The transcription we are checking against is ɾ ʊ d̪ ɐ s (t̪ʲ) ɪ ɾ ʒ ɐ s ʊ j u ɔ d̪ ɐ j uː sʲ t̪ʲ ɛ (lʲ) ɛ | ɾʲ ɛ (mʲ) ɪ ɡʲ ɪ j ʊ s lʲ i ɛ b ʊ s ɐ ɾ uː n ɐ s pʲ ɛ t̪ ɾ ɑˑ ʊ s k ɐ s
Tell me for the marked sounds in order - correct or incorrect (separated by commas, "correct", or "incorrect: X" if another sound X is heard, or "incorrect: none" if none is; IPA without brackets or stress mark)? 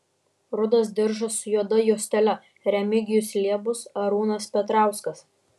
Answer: incorrect: d̪ʲ, correct, correct